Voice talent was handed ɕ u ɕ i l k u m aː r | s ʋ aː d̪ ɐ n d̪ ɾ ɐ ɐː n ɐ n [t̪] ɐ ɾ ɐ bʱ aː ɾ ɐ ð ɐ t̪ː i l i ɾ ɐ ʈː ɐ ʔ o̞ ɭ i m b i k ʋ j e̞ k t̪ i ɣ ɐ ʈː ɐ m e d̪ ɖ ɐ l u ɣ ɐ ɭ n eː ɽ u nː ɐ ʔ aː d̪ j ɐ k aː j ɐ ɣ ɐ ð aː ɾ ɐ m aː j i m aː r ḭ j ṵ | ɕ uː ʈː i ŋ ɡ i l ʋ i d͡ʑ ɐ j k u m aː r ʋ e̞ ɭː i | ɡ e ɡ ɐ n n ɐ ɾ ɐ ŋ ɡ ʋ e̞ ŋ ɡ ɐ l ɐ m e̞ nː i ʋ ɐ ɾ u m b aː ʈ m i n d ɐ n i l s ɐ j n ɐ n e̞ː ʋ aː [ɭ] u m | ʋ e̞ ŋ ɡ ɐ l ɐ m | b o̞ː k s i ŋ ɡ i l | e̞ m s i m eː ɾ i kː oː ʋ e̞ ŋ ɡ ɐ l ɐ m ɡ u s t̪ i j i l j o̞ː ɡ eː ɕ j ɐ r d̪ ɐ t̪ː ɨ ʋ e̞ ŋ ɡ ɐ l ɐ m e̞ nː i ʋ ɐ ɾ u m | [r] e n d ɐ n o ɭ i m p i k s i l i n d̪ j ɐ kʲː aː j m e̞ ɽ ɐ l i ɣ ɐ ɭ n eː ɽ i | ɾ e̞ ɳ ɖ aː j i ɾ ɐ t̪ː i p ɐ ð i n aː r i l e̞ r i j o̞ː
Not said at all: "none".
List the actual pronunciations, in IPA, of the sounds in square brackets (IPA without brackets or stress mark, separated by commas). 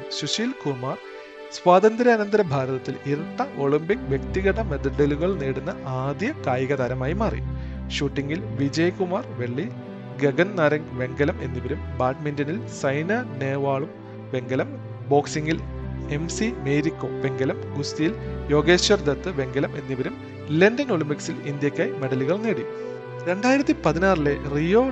d̪, ɭ, l